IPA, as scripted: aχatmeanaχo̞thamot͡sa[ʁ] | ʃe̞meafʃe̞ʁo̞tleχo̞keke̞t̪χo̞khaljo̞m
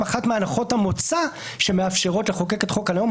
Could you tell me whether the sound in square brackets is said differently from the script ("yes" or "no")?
yes